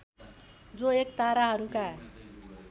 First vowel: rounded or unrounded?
rounded